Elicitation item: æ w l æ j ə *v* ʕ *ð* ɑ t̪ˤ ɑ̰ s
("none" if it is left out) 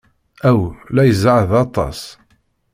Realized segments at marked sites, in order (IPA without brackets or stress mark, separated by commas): z, ð